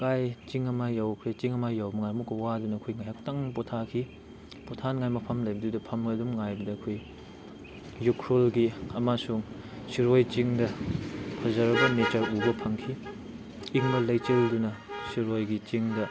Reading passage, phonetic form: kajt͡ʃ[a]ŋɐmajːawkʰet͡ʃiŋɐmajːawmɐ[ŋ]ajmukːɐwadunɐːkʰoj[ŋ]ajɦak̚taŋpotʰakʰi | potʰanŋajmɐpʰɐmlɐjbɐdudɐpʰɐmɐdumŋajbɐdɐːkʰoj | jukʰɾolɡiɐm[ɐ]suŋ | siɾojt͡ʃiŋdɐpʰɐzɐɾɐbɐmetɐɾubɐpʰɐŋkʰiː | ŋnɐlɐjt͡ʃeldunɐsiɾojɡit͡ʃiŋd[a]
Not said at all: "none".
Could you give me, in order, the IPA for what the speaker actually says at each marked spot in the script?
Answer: i, ŋ, ŋ, a, ɐ

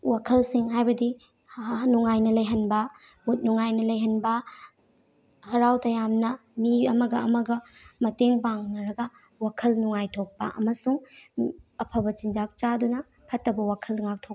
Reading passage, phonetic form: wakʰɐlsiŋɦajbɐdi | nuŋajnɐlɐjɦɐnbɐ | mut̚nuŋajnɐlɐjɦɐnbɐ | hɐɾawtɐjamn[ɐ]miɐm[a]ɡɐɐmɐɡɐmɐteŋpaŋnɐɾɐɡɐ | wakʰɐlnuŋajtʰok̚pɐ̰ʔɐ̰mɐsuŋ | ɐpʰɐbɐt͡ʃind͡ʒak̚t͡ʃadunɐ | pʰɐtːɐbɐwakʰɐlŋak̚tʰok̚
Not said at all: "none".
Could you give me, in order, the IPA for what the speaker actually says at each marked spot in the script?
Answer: ɐ, ɐ

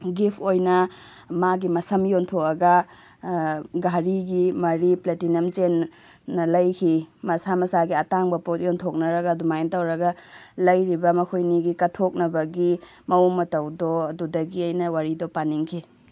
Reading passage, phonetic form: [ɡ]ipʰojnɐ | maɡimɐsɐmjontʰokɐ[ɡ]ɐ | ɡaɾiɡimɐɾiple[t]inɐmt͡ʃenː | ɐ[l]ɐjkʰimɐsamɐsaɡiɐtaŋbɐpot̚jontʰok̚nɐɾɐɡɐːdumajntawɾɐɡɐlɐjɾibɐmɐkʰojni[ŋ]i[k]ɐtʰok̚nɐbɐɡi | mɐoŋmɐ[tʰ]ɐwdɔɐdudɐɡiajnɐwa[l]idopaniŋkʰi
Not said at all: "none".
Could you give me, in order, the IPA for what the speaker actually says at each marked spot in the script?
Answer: ɡ, ɡ, t, l, ɡ, k, t, ɾ

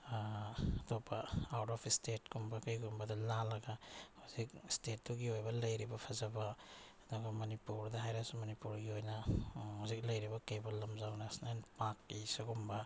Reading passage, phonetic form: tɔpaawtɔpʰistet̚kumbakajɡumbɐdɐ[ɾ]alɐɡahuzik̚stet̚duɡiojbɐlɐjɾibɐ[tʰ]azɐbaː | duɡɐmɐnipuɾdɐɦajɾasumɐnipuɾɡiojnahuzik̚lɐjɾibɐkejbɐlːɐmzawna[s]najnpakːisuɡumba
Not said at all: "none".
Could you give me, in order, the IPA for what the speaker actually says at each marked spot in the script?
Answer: l, pʰ, s

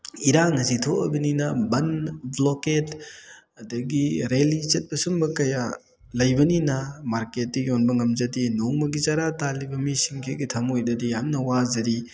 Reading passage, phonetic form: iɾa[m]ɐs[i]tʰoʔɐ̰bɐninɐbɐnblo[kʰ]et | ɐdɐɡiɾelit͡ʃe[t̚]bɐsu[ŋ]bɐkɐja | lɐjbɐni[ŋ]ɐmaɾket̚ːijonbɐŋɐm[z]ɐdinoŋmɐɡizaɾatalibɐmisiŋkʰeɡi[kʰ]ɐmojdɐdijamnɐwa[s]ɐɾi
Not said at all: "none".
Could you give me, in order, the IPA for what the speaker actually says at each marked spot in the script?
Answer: ŋ, i, k, t̚, m, n, z, tʰ, z

